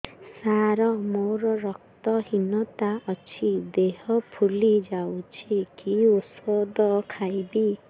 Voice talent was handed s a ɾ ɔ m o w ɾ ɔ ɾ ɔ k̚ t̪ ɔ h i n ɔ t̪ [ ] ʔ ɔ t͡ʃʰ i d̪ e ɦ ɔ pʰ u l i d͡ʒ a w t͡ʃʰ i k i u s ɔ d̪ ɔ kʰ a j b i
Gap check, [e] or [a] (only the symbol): a